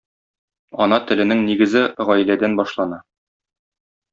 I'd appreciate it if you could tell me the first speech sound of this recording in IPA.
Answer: ɒ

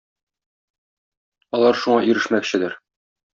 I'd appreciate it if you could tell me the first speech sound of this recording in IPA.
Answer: ɒ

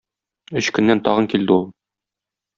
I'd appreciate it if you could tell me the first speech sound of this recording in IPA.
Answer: ɵ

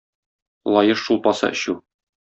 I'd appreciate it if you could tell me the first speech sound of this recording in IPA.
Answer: lˠ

